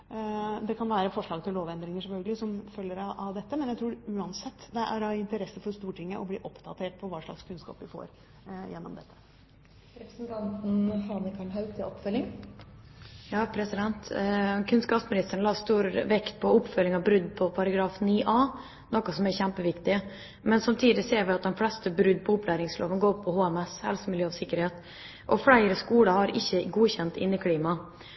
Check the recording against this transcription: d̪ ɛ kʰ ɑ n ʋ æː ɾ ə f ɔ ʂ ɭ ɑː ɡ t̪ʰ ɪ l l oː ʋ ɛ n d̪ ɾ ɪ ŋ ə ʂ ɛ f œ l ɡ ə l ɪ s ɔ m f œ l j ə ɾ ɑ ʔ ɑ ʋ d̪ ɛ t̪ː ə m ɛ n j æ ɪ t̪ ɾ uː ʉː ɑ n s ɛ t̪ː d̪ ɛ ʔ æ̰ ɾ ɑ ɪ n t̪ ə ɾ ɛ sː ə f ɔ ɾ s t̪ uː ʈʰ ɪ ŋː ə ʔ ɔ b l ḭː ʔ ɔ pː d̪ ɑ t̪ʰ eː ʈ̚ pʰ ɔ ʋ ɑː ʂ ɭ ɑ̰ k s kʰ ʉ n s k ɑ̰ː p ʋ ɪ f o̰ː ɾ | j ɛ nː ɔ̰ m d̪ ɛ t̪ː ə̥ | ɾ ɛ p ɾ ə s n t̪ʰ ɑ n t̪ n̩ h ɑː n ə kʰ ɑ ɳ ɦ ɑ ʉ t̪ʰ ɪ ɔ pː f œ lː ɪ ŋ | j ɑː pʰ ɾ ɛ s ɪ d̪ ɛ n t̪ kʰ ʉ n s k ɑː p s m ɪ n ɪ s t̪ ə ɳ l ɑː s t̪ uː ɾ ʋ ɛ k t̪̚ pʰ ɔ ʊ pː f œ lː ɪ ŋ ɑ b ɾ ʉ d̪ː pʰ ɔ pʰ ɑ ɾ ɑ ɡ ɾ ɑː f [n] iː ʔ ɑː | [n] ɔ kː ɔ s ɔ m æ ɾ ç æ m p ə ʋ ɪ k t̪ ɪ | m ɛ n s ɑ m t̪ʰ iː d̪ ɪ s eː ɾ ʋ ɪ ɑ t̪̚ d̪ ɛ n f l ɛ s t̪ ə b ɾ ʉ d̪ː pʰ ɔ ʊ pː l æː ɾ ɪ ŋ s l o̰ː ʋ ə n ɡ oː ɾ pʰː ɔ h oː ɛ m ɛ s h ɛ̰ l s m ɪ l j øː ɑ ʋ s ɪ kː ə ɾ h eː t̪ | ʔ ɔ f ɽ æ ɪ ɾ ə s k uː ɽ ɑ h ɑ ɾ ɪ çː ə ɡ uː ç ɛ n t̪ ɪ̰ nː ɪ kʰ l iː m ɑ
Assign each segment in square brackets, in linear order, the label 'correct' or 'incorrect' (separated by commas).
correct, correct